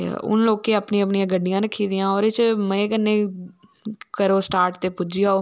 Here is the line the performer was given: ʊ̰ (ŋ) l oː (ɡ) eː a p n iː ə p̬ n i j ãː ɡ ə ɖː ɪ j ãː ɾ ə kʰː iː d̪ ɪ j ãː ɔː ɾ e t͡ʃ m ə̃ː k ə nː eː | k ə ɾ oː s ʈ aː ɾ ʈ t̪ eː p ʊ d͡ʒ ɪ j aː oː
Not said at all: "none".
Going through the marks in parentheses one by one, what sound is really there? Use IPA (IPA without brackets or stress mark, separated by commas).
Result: n, k